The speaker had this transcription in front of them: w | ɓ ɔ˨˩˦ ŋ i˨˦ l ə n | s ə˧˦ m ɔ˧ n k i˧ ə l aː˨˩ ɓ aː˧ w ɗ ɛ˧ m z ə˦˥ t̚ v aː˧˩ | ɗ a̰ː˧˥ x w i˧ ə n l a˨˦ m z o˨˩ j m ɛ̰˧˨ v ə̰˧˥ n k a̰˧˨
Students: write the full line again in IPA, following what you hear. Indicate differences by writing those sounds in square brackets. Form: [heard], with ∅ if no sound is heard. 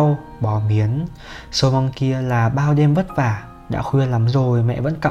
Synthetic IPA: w | ɓ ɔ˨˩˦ [m] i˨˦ [∅] ə n | s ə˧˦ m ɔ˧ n k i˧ ə l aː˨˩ ɓ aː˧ w ɗ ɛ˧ m [v] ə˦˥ t̚ v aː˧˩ | ɗ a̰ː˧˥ x w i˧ ə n l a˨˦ m z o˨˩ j m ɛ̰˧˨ v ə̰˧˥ n k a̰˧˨